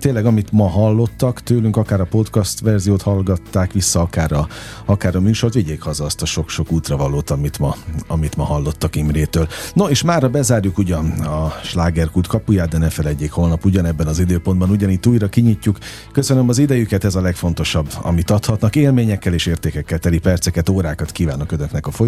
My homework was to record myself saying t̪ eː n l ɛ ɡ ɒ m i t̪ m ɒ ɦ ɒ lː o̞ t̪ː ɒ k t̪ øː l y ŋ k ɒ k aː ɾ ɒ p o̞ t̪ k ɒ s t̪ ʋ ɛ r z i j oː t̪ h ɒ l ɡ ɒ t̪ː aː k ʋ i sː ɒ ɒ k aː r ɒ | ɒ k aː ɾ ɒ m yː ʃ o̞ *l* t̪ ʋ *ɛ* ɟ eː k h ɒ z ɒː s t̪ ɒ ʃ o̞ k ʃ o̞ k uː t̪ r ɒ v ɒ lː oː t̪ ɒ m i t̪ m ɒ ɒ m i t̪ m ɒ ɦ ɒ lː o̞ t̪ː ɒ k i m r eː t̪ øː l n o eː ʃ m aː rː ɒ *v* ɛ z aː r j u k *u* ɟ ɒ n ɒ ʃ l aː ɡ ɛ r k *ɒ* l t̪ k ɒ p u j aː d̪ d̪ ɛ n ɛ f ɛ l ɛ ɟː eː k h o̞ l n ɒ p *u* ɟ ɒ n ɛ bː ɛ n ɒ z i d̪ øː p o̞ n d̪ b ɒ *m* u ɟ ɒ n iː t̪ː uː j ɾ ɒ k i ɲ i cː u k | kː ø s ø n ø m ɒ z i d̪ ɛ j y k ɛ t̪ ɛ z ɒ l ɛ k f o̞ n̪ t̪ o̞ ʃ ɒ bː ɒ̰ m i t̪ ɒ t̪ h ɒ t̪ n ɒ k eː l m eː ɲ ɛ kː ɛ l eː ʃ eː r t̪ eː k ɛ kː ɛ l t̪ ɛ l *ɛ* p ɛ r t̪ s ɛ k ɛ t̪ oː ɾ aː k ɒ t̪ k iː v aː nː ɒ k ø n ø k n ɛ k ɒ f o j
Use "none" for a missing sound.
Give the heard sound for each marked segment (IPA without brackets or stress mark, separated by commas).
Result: r, i, b, u, u, u, n, i